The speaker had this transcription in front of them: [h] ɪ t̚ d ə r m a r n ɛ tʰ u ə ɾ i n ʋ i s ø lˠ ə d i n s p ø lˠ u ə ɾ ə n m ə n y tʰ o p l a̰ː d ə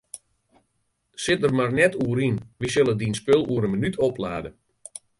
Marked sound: incorrect: s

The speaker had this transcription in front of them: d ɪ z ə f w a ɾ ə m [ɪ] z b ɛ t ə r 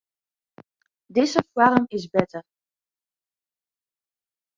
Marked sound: correct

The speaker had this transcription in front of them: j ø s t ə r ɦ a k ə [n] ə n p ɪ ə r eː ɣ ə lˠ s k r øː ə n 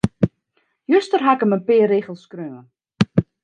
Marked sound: incorrect: m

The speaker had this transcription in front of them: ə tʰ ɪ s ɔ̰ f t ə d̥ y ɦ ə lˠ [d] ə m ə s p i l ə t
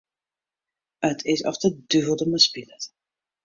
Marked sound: correct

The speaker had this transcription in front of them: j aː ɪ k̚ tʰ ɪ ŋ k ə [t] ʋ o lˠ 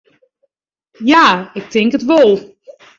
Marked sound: correct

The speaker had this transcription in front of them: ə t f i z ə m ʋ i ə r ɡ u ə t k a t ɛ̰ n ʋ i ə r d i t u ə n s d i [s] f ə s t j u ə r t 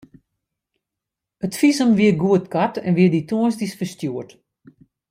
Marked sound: correct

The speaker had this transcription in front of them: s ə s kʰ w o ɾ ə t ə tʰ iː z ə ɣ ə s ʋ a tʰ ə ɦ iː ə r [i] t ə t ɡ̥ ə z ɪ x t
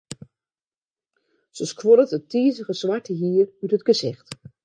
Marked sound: incorrect: y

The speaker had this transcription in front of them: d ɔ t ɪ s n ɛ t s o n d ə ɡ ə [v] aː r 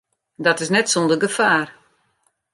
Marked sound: incorrect: f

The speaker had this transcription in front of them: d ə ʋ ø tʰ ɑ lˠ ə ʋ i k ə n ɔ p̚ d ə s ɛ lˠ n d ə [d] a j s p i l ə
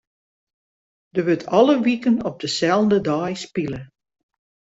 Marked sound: correct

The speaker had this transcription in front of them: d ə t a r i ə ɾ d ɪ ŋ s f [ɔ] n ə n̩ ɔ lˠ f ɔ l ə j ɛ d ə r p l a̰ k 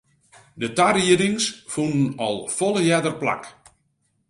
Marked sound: incorrect: u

